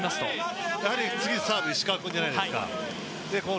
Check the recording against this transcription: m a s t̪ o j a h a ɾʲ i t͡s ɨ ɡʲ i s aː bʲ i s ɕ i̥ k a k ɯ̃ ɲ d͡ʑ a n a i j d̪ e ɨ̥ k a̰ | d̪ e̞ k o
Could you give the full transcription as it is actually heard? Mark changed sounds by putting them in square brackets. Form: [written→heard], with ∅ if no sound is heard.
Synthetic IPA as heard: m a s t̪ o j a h a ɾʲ i t͡s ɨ ɡʲ i s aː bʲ i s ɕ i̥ k a k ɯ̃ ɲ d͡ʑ a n a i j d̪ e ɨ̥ k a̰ | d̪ e̞ k o